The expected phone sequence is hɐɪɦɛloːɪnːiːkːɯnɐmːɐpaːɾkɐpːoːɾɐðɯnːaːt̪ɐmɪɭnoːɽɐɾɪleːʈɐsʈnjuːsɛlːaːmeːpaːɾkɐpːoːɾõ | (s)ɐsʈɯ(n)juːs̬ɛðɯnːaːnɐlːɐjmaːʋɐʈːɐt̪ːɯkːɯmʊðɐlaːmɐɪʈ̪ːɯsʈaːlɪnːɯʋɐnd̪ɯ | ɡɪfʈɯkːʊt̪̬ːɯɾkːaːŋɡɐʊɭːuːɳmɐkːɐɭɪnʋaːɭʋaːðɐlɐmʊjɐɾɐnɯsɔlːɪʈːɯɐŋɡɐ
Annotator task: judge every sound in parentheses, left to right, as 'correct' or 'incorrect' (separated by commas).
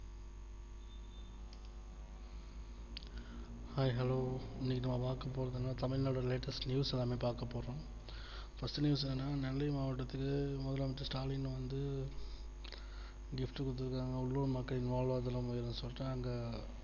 incorrect, correct